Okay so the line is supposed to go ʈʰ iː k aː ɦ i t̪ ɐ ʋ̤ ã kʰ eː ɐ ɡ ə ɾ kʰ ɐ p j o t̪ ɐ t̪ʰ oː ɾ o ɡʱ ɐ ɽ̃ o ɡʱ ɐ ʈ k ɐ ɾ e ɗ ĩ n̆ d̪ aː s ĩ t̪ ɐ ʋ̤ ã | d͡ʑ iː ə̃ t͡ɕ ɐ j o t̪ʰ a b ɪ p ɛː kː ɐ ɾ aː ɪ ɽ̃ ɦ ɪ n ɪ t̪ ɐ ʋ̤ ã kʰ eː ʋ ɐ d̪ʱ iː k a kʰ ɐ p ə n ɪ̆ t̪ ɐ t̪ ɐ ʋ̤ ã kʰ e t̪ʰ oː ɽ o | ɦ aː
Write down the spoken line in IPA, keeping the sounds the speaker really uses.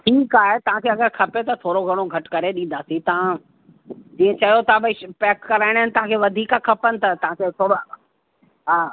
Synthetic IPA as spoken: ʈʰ iː k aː ɦ e t̪ ɐ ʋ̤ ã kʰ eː ɐ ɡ ə ɾ kʰ ɐ p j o t̪ ɐ t̪ʰ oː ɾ o ɡʱ ɐ ɽ̃ o ɡʱ ɐ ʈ k ɐ ɾ e ɗ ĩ n̆ d̪ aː s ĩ t̪ ɐ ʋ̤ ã | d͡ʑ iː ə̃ t͡ɕ ɐ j o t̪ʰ a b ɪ p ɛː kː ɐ ɾ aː ɪ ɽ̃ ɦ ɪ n ɪ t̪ ɐ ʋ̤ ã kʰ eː ʋ ɐ d̪ʱ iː k a kʰ ɐ p ə n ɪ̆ t̪ ɐ t̪ ɐ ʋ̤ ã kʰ e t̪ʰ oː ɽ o | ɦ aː